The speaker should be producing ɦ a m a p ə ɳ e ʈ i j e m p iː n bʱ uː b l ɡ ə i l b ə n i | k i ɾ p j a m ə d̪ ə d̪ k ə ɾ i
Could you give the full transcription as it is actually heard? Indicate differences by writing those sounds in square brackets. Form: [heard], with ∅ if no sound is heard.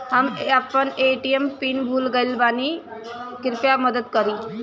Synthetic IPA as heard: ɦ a m a p ə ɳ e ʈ i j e m p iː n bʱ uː [∅] l ɡ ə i l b [a] n i | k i ɾ p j a m ə d̪ ə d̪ k ə ɾ i